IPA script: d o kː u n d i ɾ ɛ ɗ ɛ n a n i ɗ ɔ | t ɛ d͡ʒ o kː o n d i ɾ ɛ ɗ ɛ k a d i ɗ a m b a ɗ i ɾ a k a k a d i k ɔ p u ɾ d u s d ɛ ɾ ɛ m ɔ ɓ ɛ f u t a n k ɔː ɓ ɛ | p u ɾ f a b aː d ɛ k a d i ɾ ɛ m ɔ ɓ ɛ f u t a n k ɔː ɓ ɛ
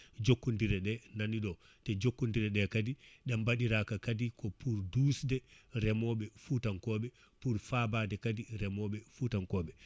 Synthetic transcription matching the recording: d͡ʒ o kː u n d i ɾ ɛ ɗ ɛ n a n i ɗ ɔ | t ɛ d͡ʒ o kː u n d i ɾ ɛ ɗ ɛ k a d i ɗ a m b a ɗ i ɾ a k a k a d i k ɔ p u ɾ d u s d ɛ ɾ ɛ m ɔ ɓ ɛ f u t a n k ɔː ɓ ɛ | p u ɾ f a b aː d ɛ k a d i ɾ ɛ m ɔ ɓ ɛ f u t a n k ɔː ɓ ɛ

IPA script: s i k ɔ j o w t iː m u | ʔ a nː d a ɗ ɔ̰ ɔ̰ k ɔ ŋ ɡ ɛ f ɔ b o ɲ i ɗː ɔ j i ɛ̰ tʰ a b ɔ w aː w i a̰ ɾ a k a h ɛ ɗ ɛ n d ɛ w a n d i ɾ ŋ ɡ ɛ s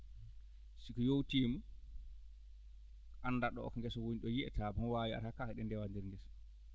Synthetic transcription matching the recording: s i k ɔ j o w t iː m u | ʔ a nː d a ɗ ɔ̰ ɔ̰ k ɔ ŋ ɡ ɛ s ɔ w o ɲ i ɗ ɔ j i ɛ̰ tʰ a b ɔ w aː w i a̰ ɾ a k a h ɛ ɗ ɛ n d ɛ w a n d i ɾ ŋ ɡ ɛ s

